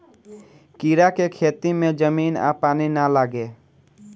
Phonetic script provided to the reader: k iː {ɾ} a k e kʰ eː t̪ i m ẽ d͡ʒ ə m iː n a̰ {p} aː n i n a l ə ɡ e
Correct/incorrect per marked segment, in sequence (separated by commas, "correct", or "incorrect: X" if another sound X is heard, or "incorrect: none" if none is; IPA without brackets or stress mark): correct, correct